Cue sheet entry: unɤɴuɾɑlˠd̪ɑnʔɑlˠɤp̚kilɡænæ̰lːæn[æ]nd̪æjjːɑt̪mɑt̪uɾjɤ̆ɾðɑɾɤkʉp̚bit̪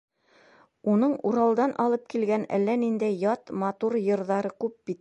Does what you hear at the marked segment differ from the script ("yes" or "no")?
yes